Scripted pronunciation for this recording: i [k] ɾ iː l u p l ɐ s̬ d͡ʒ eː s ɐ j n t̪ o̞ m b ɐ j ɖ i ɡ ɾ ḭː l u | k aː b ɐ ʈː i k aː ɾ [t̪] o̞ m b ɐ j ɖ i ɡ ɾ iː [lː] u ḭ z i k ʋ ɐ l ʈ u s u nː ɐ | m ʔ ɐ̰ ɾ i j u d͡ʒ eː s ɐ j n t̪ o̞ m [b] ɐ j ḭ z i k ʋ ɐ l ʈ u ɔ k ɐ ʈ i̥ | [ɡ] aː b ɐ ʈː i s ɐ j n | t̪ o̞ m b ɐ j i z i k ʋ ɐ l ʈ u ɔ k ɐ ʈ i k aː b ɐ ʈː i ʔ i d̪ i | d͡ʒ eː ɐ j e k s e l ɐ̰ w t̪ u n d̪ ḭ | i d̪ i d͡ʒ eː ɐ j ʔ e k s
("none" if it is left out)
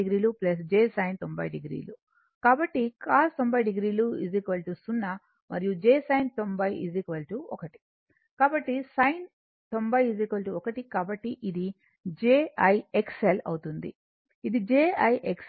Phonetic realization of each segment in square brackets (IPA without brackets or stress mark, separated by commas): ɡ, t̪, l, b, k